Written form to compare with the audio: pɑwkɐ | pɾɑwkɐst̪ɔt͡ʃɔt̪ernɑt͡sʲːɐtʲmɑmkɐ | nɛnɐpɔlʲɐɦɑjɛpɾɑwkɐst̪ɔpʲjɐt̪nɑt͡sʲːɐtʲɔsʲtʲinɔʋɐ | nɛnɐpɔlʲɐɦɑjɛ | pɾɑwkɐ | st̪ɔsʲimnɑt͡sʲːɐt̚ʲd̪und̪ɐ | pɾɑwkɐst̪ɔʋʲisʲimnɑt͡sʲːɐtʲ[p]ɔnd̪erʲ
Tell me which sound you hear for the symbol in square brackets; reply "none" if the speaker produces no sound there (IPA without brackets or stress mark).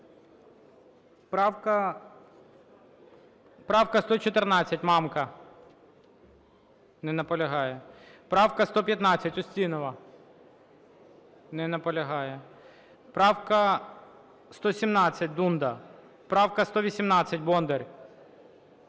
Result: b